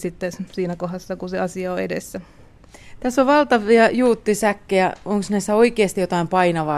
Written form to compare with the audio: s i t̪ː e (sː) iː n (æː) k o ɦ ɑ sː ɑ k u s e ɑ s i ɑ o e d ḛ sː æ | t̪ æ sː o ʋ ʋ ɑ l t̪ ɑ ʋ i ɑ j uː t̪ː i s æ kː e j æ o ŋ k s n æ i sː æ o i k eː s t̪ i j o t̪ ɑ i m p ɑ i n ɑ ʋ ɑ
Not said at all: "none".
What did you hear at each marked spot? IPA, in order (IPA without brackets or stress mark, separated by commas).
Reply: s, æ